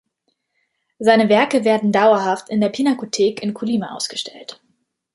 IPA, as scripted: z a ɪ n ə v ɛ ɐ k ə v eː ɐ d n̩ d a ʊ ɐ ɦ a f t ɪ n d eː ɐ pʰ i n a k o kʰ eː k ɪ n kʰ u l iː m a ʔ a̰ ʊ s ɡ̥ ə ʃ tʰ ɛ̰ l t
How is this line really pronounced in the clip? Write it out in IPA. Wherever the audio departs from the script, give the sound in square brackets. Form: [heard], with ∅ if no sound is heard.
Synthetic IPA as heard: z a ɪ n ə v ɛ ɐ k ə v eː ɐ d n̩ d a ʊ ɐ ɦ a f t ɪ n d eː ɐ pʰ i n a k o [tʰ] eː k ɪ n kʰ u l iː m a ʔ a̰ ʊ s ɡ̥ ə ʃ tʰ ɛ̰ l t